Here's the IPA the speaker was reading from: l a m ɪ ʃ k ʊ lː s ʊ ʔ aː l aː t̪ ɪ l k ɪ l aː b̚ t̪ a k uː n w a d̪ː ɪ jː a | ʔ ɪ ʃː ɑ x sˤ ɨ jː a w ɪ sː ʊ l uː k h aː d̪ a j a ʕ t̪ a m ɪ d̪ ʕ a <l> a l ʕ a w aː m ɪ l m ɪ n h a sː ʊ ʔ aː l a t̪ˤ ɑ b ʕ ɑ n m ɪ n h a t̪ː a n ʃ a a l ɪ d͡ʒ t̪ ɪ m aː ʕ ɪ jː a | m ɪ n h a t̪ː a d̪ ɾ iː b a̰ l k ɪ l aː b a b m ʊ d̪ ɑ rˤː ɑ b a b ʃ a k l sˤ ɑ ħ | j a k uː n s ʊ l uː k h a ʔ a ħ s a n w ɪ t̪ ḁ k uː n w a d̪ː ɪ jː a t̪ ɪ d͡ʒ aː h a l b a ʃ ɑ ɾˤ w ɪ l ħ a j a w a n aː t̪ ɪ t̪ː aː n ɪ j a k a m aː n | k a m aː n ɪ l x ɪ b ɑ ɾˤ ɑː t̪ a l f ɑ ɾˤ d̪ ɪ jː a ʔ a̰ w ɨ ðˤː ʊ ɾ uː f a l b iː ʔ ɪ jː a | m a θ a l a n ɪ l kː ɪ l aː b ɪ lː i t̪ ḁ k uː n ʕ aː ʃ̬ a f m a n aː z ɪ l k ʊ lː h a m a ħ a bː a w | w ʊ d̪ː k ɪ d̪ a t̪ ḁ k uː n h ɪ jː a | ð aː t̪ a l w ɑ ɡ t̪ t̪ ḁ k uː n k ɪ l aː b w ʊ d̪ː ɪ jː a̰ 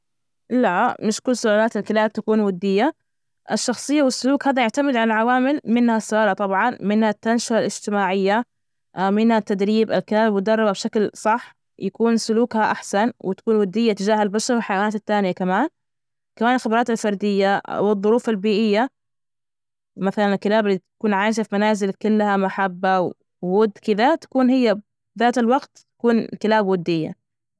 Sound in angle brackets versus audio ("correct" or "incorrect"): correct